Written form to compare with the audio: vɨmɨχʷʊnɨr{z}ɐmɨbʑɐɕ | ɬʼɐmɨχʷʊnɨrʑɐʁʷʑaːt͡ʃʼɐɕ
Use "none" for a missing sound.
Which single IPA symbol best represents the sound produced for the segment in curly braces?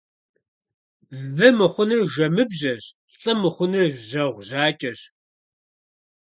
ʒ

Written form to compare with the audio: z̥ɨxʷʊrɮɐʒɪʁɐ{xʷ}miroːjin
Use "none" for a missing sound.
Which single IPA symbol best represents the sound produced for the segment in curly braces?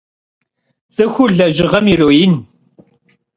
none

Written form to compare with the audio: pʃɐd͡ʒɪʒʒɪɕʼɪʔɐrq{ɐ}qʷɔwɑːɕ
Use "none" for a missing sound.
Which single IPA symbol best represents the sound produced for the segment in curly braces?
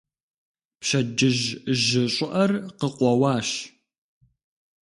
ə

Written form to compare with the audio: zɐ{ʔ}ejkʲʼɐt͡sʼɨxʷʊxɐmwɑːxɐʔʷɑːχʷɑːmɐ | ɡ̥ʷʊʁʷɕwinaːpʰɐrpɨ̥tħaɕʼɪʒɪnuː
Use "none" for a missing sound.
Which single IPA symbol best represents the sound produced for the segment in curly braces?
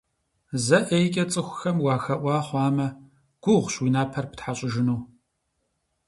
ʔ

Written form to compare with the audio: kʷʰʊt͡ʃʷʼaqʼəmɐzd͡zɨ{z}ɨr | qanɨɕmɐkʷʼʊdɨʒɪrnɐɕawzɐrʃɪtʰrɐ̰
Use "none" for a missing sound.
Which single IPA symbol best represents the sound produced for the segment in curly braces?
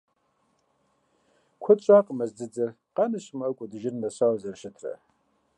d͡z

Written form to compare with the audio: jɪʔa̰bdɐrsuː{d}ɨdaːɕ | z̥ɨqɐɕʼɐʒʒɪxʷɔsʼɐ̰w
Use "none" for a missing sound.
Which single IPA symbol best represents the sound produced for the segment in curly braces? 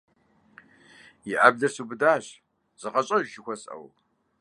b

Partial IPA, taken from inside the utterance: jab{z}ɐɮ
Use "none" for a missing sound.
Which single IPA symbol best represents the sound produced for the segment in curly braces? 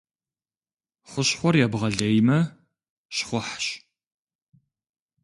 ʁ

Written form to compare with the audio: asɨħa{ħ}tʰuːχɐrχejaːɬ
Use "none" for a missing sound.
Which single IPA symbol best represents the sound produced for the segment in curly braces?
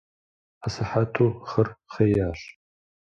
none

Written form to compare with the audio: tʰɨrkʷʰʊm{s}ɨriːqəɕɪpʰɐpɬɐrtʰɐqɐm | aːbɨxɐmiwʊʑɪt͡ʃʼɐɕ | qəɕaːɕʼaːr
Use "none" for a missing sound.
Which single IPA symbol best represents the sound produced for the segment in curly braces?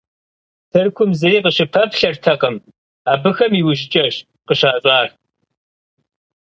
z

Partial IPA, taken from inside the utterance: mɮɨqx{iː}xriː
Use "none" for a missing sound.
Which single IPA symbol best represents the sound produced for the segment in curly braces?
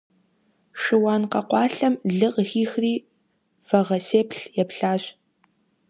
iː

